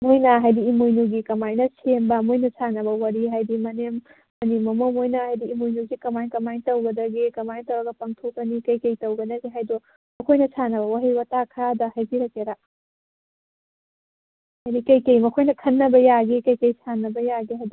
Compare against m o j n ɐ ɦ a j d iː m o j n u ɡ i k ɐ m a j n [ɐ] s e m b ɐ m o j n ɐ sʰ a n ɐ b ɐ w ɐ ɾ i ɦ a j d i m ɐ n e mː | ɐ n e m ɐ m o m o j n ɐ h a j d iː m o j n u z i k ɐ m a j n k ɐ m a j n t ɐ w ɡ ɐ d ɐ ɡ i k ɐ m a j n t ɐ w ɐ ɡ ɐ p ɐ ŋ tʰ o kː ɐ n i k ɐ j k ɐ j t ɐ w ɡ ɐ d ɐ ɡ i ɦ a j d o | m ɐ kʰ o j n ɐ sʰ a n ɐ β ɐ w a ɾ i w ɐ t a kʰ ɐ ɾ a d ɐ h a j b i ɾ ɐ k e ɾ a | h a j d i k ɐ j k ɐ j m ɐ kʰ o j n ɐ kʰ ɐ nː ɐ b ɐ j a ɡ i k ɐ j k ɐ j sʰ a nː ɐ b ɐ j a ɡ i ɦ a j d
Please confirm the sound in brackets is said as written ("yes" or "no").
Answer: yes